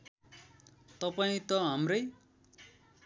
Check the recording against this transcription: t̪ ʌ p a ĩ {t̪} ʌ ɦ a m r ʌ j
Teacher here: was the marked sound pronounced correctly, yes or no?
yes